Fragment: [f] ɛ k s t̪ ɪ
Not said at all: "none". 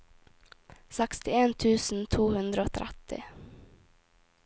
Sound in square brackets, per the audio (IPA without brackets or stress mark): s